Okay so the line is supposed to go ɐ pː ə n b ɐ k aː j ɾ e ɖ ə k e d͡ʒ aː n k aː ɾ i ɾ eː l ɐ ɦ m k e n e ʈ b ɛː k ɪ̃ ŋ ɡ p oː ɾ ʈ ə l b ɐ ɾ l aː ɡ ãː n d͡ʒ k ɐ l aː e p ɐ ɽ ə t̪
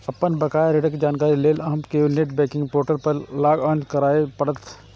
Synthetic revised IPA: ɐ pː ə n b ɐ k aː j ɾ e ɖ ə k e d͡ʒ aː n k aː ɾ i l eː l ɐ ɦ m k e n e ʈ b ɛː k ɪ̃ ŋ ɡ p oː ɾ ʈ ə l p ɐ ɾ l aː ɡ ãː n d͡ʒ k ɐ ɾ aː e p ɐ ɽ ə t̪